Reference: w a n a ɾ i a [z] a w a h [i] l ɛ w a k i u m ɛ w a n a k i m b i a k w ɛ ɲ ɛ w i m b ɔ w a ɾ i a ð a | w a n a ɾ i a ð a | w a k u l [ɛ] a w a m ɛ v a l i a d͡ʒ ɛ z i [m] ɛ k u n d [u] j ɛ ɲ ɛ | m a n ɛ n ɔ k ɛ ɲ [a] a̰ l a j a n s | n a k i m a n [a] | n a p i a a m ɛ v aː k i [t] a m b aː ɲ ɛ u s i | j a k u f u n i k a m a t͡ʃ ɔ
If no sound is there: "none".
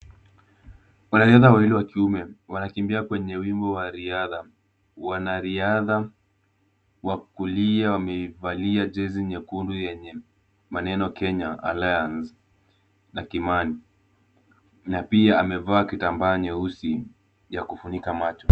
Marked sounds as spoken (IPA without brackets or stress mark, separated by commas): ð, i, i, ɲ, u, a, i, t